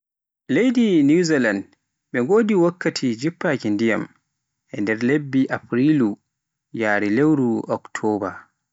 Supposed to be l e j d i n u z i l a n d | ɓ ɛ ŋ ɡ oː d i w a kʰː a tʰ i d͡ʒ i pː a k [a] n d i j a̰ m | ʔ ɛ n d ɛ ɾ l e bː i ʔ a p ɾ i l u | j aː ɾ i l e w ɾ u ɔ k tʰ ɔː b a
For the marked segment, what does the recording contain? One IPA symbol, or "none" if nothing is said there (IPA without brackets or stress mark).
i